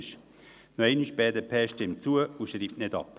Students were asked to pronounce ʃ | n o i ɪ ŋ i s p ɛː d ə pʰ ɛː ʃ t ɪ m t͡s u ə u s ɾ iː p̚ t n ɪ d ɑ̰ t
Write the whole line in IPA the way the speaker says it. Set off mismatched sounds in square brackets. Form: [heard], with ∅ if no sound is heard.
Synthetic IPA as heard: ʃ | n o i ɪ [n] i [ʃ] p ɛː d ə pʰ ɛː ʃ t ɪ m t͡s u ə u [ʃ] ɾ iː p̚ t n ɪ d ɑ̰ [p]